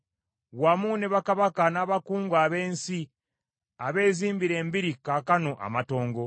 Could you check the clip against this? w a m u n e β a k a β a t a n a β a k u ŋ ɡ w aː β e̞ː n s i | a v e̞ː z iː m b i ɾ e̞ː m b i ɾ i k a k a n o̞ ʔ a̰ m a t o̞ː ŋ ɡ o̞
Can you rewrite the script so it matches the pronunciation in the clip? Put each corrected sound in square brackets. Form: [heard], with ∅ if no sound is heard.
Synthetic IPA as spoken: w a m u n e β a k a β a [k] a n a β a k [uː] ŋ ɡ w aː β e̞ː n s i | a [β] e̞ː z iː m b i ɾ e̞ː m b i ɾ i k a k a n o̞ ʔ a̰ m a t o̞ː ŋ ɡ o̞